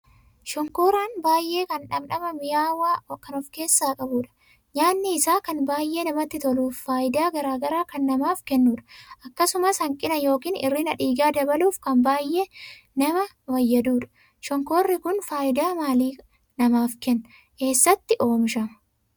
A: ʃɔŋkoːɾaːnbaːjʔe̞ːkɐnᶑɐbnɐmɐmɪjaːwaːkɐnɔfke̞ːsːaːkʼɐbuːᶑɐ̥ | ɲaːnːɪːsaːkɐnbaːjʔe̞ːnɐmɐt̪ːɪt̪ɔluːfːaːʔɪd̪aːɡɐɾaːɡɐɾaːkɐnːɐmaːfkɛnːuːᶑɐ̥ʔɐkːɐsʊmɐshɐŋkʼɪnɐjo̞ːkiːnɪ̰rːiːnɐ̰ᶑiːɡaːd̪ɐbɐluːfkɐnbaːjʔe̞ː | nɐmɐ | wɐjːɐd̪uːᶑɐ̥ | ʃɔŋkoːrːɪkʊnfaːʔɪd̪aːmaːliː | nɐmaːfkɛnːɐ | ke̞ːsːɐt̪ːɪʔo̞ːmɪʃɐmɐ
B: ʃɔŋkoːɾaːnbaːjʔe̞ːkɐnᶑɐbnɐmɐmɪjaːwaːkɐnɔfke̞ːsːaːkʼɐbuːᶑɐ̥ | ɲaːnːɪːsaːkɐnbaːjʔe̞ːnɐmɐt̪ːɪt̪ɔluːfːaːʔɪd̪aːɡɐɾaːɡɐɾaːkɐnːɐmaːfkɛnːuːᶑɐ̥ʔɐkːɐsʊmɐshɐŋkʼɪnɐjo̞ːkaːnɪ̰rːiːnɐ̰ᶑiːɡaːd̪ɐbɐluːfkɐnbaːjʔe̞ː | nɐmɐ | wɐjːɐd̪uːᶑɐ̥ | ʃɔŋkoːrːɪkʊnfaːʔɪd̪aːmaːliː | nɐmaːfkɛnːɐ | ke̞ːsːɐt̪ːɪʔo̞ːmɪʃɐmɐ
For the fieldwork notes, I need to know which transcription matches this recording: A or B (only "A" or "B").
A